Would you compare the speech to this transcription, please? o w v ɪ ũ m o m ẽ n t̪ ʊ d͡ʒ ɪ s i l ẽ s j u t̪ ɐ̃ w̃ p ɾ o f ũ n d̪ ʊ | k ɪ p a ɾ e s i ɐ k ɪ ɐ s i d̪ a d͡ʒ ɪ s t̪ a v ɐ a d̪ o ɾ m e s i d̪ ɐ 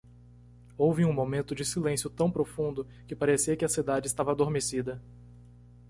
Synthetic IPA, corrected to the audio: o w v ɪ ũ m o m ẽ n t̪ ʊ d͡ʒ ɪ s i l ẽ s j ʊ t̪ ɐ̃ w̃ p ɾ o f ũ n d̪ ʊ | k ɪ p a ɾ e s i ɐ k ɪ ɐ s i d̪ a d͡ʒ ɪ s t̪ a v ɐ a d̪ o ɾ m e s i d̪ ɐ